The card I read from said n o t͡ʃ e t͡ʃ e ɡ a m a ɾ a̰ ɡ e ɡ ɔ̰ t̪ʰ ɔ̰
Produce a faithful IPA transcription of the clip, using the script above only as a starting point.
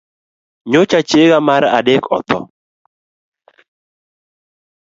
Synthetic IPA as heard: ɲ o t͡ʃ a t͡ʃ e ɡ a m a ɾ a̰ d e k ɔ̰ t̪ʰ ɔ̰